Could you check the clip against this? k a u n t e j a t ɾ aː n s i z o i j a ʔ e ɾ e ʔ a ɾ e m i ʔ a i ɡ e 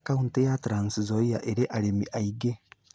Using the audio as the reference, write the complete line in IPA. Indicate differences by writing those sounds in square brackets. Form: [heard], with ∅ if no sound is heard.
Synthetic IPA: k a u n t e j a t ɾ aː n s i z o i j a ʔ e ɾ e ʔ a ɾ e m i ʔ a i ɡ e